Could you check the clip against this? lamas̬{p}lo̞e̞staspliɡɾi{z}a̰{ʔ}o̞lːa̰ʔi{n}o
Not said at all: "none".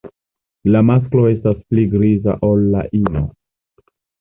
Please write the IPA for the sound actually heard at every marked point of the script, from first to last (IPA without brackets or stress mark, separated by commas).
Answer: k, z, ʔ, n